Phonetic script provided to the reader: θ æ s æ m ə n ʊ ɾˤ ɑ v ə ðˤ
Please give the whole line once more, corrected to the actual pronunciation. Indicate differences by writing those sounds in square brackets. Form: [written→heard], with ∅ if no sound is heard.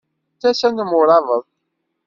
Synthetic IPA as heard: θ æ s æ [m→n] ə [n→m] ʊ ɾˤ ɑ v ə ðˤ